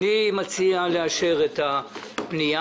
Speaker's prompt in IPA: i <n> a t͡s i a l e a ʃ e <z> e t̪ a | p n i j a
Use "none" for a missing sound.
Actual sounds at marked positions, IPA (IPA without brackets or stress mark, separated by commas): m, ʁ